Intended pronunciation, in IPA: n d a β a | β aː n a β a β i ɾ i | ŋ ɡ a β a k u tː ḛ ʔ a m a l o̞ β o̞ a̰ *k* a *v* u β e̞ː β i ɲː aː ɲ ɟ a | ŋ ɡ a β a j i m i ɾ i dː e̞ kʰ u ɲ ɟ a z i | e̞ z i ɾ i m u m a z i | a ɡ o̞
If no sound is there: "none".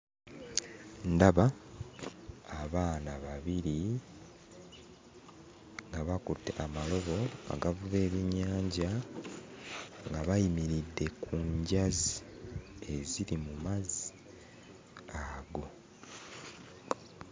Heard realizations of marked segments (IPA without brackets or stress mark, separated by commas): ɡ, v